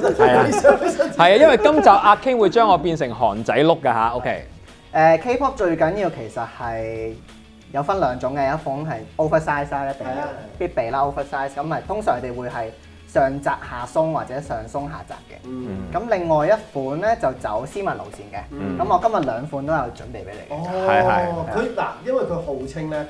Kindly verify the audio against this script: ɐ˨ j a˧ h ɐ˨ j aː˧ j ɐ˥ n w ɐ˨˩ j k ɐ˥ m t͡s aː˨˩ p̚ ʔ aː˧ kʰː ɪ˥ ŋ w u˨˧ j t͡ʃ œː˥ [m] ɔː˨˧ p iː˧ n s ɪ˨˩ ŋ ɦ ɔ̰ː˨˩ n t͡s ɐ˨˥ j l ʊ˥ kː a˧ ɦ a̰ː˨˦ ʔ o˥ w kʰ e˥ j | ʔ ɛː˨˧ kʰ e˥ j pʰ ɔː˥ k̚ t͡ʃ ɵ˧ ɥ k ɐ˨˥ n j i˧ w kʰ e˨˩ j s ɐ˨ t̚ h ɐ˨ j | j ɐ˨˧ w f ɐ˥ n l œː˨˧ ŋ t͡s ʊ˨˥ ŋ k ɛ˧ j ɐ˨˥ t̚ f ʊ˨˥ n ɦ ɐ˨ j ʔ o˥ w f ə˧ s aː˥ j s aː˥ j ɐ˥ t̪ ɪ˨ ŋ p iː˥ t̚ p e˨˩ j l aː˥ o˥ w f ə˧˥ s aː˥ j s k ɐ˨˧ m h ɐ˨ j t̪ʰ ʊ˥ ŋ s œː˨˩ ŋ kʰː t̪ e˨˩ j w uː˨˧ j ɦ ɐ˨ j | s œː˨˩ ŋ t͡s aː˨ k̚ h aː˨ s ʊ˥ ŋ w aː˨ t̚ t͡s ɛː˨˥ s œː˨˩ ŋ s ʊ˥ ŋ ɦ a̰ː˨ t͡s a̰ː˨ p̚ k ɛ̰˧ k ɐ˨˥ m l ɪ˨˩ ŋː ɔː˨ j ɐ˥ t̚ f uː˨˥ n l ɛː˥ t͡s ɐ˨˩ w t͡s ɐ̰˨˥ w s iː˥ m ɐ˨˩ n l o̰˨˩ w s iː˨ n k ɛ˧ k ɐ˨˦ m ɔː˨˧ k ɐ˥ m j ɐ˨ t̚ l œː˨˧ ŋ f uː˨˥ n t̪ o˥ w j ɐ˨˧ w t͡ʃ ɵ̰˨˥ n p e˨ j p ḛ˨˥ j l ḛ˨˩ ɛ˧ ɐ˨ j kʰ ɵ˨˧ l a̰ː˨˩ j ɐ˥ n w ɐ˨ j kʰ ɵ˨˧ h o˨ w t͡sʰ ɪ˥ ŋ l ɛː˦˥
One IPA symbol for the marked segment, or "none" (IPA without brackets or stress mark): ŋ